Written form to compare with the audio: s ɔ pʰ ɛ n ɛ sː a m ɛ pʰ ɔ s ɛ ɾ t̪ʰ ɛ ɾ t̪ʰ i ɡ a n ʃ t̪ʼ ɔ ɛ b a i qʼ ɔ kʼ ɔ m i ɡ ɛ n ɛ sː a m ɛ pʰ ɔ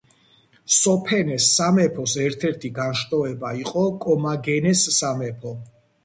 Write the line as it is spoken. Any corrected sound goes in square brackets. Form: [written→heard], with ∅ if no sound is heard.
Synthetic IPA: s ɔ pʰ ɛ n ɛ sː a m ɛ pʰ ɔ s ɛ ɾ t̪ʰ ɛ ɾ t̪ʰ i ɡ a n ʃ t̪ʼ ɔ ɛ b a i qʼ ɔ kʼ ɔ m [i→a] ɡ ɛ n ɛ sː a m ɛ pʰ ɔ

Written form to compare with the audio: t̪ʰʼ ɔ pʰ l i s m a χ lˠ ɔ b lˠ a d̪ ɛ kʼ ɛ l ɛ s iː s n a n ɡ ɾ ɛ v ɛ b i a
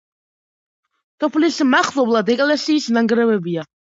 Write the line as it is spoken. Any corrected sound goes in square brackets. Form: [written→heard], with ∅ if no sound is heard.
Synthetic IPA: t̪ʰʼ ɔ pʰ l i s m a χ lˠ ɔ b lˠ a d̪ ɛ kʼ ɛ l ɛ s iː s n a [n→ŋ] ɡ ɾ ɛ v ɛ b i a

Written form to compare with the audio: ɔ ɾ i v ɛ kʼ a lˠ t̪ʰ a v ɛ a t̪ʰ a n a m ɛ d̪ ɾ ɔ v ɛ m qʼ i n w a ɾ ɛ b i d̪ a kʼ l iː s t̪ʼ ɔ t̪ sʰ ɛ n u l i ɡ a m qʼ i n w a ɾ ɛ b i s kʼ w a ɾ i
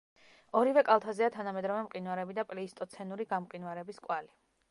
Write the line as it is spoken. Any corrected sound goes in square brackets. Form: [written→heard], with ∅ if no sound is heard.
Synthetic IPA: ɔ ɾ i v ɛ kʼ a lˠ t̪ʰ a [v→z] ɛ a t̪ʰ a n a m ɛ d̪ ɾ ɔ v ɛ m qʼ i n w a ɾ ɛ b i d̪ a [kʼ→pʼ] l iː s t̪ʼ ɔ t̪ sʰ ɛ n u [l→ɾ] i ɡ a m qʼ i n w a ɾ ɛ b i s kʼ w a [ɾ→l] i

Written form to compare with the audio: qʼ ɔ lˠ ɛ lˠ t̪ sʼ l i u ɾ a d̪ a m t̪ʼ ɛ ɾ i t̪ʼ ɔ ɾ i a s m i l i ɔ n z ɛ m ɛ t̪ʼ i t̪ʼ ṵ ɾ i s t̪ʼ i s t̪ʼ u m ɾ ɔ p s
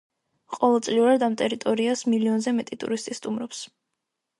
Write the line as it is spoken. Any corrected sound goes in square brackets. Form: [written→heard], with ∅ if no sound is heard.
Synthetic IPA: qʼ ɔ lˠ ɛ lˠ t̪ sʼ l i u ɾ a d̪ a m t̪ʼ ɛ ɾ i t̪ʼ ɔ ɾ i a s m i l i ɔ n z ɛ m ɛ t̪ʼ i t̪ʼ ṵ ɾ i s t̪ʼ i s t̪ʼ u m ɾ ɔ p s

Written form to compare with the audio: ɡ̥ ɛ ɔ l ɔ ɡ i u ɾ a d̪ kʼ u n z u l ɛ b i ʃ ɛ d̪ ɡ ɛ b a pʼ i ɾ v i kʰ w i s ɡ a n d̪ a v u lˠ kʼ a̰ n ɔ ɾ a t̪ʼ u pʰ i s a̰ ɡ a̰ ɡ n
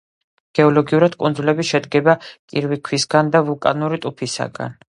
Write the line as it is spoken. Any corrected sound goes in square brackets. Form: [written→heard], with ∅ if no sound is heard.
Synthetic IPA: ɡ̥ ɛ ɔ l ɔ ɡ i u ɾ a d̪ kʼ u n z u l ɛ b i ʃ ɛ d̪ ɡ ɛ b a [pʼ→kʼ] i ɾ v i kʰ w i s ɡ a n d̪ a v u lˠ kʼ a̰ n [ɔ→u] ɾ [a→i] t̪ʼ u pʰ i s a̰ ɡ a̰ [ɡ→∅] n

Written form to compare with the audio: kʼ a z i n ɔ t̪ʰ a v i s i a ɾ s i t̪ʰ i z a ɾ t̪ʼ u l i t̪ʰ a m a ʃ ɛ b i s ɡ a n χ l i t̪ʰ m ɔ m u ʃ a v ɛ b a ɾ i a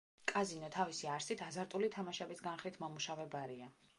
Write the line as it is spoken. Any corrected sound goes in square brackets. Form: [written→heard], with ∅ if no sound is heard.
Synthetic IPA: kʼ a z i n ɔ t̪ʰ a v i s i a ɾ s i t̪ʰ [i→a] z a ɾ t̪ʼ u l i t̪ʰ a m a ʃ ɛ b i s ɡ a n χ l i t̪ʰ m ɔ m u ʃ a v ɛ b a ɾ i a

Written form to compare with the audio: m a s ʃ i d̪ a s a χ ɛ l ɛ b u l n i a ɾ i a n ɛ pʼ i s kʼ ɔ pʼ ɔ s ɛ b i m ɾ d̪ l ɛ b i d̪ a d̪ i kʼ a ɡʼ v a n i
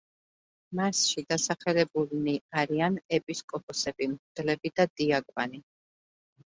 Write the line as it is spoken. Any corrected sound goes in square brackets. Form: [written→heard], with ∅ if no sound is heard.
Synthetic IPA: m a s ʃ i d̪ a s a χ ɛ l ɛ b u l n i a ɾ i a n ɛ pʼ i s kʼ ɔ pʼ ɔ s ɛ b i m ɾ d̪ l ɛ b i d̪ a d̪ i [kʼ→∅] a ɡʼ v a n i

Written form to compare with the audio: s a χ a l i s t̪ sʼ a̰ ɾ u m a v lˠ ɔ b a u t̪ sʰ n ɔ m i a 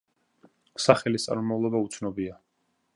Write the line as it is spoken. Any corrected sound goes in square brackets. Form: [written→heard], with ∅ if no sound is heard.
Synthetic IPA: s a χ [a→ɛ] l i s t̪ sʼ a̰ ɾ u m a v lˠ ɔ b a u t̪ sʰ n ɔ [m→b] i a

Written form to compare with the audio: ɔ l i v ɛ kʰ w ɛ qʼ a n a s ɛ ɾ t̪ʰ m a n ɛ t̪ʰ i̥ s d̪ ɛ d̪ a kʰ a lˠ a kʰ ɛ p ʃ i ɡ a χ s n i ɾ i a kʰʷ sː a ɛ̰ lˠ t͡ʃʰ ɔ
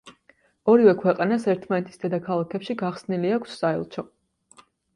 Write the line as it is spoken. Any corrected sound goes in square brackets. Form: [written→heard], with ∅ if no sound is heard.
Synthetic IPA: ɔ [l→ɾ] i v ɛ kʰ w ɛ qʼ a n a s ɛ ɾ t̪ʰ m a n ɛ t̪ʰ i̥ s d̪ ɛ d̪ a kʰ a lˠ a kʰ ɛ p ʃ i ɡ a χ s n i [ɾ→l] i a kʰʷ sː a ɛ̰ lˠ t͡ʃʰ ɔ

